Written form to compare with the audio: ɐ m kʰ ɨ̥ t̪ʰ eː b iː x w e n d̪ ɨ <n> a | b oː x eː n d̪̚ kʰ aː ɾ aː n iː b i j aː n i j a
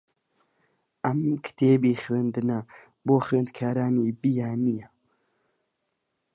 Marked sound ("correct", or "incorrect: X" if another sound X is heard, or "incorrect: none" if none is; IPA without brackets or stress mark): correct